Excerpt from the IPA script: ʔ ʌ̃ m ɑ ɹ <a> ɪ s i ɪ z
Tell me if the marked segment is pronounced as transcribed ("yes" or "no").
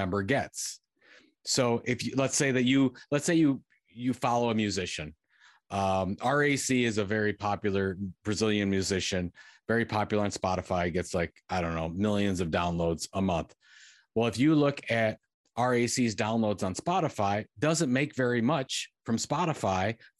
no